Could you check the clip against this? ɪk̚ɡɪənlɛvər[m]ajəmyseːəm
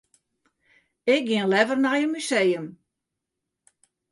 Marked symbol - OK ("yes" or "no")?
no